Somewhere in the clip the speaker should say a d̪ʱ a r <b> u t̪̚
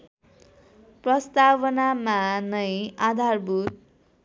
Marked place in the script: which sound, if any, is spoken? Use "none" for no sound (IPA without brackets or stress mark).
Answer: b